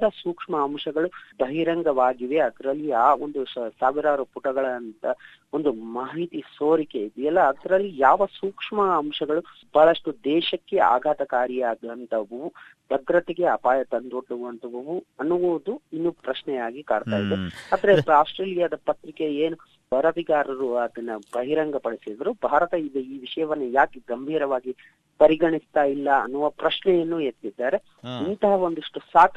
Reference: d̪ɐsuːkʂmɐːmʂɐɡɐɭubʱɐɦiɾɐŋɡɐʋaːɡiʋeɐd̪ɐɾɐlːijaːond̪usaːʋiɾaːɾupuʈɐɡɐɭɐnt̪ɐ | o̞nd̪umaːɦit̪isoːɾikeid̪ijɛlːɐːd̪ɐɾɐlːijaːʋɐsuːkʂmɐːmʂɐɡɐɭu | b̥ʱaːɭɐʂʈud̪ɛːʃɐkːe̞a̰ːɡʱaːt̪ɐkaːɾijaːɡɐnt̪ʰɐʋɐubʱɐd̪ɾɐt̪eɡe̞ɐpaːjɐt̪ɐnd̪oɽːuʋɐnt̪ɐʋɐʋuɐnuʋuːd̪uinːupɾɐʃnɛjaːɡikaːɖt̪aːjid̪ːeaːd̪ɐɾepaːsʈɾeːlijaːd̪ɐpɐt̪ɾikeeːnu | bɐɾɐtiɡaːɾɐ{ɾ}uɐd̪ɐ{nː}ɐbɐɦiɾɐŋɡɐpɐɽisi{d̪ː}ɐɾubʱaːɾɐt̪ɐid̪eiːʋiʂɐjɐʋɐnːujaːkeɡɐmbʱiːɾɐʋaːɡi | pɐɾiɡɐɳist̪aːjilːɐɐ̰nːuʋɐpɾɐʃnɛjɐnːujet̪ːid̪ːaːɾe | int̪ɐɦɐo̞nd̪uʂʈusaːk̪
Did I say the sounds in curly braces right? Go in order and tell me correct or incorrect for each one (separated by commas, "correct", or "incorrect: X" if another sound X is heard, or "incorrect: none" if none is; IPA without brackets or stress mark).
correct, correct, incorrect: d̪